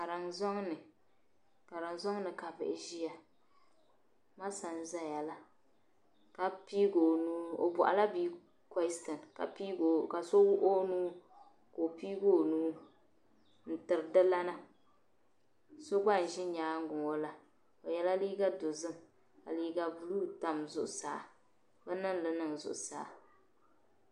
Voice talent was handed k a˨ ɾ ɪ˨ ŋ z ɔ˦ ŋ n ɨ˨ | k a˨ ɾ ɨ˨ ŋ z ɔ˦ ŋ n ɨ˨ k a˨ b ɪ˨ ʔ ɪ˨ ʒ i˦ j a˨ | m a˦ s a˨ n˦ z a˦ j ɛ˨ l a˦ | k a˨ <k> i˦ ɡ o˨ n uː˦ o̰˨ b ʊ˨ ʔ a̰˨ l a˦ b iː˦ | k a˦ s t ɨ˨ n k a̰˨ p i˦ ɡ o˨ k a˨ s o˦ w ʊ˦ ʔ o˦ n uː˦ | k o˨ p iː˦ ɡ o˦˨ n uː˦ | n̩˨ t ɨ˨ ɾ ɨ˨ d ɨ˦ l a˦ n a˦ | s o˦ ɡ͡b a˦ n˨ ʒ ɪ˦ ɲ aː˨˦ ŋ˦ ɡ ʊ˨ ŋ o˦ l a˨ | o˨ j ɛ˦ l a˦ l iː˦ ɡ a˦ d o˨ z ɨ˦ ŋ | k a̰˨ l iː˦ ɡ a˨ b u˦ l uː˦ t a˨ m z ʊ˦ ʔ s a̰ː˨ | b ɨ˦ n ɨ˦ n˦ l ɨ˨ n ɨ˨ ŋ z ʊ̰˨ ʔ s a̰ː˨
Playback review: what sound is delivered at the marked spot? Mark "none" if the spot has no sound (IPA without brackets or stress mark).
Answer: p